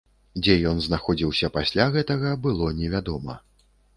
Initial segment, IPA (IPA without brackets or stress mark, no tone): d͡zʲ